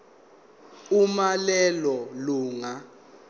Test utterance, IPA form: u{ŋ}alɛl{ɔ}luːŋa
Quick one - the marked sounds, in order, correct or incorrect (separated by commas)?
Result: incorrect, correct